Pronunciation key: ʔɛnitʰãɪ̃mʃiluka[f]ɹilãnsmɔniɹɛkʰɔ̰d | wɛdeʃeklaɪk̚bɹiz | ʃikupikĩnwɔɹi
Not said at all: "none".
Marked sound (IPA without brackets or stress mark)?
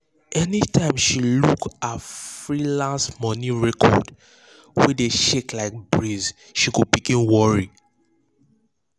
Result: f